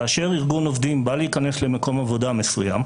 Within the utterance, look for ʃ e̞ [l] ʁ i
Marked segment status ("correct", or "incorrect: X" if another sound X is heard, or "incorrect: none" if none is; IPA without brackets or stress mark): incorrect: none